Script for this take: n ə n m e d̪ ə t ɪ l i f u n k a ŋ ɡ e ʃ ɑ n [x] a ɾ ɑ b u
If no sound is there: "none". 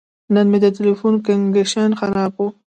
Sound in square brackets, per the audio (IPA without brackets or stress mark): x